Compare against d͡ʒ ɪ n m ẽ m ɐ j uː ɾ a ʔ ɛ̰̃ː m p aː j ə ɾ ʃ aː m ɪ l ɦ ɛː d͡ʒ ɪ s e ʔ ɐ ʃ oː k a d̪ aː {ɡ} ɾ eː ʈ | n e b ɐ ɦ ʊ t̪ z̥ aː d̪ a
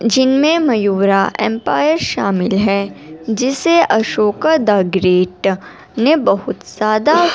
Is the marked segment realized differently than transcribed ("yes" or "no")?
no